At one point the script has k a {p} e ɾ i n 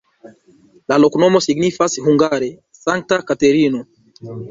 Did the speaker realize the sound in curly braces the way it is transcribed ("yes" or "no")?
no